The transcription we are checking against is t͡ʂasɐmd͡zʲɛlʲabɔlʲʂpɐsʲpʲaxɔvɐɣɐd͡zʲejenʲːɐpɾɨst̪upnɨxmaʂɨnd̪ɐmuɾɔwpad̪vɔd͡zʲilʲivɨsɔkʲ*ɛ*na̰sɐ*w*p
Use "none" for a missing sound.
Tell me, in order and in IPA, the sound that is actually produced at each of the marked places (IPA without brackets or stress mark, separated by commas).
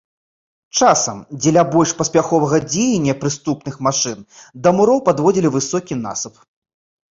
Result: i, none